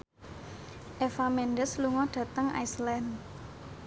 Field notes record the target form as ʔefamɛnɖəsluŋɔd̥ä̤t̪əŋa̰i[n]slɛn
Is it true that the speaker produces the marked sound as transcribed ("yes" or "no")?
no